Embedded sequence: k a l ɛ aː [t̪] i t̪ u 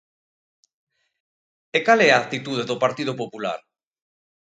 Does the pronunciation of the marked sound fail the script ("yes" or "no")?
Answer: no